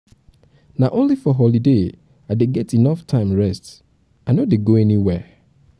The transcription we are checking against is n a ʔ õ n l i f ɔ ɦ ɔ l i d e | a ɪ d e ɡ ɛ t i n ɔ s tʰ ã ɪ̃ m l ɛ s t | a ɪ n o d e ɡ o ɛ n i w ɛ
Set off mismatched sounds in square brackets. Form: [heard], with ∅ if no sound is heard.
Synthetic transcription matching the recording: n a ʔ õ n l i f ɔ ɦ ɔ l i d e | a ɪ d e ɡ ɛ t i n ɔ [f] tʰ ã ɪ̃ m [ɹ] ɛ s t | a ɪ n o d e ɡ o ɛ n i w ɛ